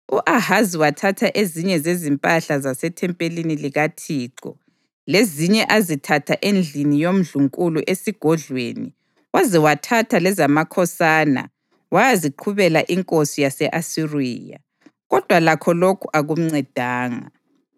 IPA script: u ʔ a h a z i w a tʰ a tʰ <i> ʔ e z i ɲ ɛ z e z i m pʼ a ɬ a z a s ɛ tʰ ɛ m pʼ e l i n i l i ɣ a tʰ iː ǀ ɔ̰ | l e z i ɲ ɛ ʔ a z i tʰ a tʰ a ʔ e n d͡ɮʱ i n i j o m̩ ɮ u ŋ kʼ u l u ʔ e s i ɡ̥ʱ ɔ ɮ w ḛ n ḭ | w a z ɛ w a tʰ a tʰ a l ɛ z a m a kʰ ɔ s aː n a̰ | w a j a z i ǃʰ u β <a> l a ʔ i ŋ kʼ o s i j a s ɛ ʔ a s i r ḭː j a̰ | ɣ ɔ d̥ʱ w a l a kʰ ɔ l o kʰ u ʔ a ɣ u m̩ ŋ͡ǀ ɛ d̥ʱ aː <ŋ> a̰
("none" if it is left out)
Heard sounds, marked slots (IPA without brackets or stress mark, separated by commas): a, ɛ, ŋ